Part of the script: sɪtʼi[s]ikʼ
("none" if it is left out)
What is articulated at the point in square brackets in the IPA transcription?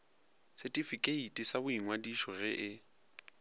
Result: f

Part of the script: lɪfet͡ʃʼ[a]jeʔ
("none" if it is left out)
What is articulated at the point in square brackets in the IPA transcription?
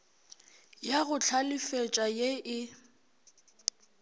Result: a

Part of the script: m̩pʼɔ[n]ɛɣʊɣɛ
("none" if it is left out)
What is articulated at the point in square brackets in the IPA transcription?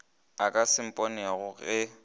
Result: n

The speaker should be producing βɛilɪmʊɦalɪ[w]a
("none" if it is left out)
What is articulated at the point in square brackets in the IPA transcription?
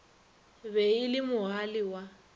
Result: w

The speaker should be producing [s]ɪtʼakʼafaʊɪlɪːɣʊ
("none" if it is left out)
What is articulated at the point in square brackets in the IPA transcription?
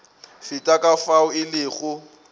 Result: f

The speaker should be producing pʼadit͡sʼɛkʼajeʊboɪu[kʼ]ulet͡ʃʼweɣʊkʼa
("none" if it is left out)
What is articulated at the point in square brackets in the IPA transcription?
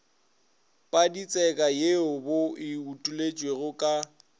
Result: tʼ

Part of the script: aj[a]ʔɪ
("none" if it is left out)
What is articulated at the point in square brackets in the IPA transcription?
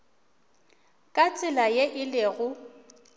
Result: e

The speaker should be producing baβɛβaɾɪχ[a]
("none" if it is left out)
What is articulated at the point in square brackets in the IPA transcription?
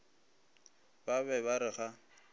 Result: a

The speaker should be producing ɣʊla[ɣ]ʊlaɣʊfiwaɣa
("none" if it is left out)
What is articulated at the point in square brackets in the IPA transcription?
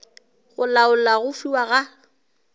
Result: none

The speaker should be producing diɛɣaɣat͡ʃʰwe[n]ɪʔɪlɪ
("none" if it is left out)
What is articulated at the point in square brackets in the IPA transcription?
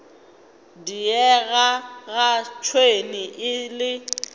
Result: n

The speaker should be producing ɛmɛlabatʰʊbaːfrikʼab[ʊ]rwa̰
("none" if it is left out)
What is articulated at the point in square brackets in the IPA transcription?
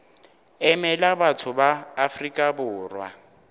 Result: ʊː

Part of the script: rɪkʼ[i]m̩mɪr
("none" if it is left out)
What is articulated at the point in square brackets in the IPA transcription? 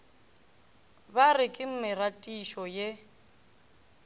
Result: ɪ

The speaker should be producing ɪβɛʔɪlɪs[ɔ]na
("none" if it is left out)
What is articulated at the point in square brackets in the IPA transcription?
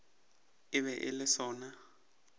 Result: ɔː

